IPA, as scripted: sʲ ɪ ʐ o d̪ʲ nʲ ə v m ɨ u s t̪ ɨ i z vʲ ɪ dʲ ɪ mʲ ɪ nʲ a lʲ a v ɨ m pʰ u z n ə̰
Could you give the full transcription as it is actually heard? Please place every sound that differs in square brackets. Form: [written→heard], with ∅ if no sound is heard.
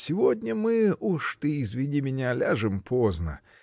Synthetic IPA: sʲ ɪ [ʐ→v] o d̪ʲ nʲ ə [v→∅] m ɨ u [s→ʂ] t̪ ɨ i z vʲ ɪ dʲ [ɪ→i] mʲ ɪ nʲ a lʲ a [v→ʐ] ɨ m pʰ [u→o] z n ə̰